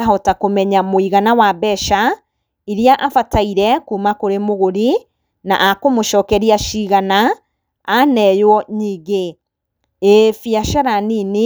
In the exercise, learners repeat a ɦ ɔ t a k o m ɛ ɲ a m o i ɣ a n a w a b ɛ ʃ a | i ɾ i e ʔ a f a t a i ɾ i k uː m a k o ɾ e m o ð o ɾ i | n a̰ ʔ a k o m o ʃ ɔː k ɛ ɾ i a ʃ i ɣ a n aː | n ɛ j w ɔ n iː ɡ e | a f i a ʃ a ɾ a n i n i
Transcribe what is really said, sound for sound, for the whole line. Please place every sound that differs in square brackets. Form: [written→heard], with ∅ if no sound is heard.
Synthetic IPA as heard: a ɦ ɔ t a k o m ɛ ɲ a m o i ɣ a n a w a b ɛ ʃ a | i ɾ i [e→a] ʔ a f a t a i ɾ [i→ɛ] k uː m a k o ɾ e m o [ð→ɣ] o ɾ i | n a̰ ʔ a k o m o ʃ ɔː k ɛ ɾ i a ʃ i ɣ a n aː | n ɛ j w ɔ [n→ɲ] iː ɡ e | [a→e] f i a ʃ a ɾ a n i n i